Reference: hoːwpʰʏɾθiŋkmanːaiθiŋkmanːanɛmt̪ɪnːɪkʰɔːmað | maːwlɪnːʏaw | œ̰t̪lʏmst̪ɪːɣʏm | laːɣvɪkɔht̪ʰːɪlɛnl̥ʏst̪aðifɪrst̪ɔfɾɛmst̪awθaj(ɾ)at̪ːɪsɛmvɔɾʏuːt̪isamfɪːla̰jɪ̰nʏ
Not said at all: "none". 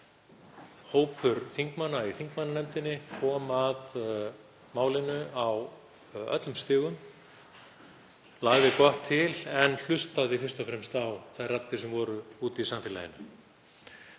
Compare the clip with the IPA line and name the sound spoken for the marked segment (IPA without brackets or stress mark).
r